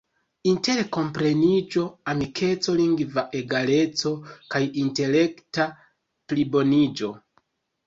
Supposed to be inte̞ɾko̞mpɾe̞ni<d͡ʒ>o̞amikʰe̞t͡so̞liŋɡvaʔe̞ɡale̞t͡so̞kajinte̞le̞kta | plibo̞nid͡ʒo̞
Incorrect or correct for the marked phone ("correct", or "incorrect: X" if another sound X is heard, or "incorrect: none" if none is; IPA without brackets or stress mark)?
correct